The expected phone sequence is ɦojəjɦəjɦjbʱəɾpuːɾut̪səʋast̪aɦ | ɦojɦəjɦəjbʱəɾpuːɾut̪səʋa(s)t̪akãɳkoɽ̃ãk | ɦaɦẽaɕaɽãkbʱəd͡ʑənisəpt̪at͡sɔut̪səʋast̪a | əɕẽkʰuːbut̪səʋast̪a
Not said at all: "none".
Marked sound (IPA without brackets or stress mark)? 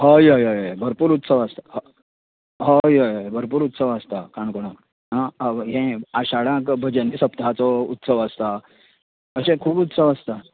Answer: s